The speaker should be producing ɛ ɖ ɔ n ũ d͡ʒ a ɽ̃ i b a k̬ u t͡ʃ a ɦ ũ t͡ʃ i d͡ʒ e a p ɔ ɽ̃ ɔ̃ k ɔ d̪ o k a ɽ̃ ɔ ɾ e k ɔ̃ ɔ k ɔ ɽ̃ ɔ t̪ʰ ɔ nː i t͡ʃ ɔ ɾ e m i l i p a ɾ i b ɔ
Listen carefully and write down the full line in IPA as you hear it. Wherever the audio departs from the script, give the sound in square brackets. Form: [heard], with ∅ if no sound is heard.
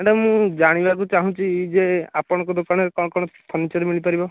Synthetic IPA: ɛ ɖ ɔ [m] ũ d͡ʒ a ɽ̃ i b a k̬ u t͡ʃ a ɦ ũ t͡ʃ i d͡ʒ e a p ɔ ɽ̃ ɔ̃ k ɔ d̪ o k a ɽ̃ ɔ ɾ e k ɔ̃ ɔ k ɔ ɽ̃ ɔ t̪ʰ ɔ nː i t͡ʃ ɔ ɾ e m i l i p a ɾ i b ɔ